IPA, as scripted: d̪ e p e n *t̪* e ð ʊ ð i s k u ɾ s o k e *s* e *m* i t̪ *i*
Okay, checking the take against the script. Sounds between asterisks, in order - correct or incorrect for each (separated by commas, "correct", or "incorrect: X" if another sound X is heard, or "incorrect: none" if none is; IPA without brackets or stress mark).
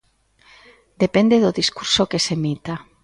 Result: incorrect: d̪, correct, correct, incorrect: a